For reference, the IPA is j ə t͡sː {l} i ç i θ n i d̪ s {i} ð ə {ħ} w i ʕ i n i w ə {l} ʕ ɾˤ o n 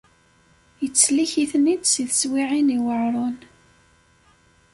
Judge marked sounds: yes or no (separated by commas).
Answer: yes, yes, no, no